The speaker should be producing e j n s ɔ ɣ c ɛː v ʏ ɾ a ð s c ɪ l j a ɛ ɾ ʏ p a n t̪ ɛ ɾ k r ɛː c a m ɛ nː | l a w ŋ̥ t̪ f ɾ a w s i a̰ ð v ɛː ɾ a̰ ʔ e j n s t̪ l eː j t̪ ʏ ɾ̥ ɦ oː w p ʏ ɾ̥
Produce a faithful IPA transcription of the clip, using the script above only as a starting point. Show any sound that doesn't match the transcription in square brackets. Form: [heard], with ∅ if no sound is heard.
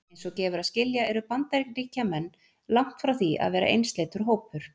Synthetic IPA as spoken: e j n s ɔ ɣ c ɛː v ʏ ɾ a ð s c ɪ l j a ɛ ɾ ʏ p a n t̪ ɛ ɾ k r [iː] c a m ɛ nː | l a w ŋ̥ t̪ f ɾ a w [θ] i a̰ ð v ɛː ɾ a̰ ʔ e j n s t̪ l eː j t̪ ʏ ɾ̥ ɦ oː w p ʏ ɾ̥